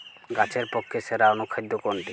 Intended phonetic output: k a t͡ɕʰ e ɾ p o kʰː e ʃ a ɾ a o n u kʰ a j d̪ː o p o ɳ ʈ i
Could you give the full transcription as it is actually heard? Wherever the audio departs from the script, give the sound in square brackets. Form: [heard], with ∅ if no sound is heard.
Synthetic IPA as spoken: [ɡ] a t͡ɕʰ e ɾ p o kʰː e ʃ [e] ɾ a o n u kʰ a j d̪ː o [k] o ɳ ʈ i